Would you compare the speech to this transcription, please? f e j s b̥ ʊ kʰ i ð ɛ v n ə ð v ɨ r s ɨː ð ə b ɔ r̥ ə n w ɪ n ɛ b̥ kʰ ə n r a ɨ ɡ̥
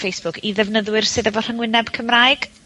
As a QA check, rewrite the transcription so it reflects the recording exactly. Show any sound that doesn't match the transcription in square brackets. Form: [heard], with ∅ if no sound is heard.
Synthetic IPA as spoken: f e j s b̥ ʊ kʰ i ð ɛ v n ə ð [w] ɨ r s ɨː ð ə [v] ɔ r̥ ə [ŋ] w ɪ n ɛ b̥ kʰ ə [m] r a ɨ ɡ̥